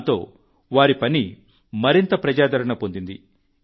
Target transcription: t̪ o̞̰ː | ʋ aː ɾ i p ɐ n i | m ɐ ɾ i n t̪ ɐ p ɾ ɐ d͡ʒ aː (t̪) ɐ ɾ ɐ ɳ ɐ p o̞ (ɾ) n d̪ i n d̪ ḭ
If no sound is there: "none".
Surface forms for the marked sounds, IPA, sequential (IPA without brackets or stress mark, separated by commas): d̪, none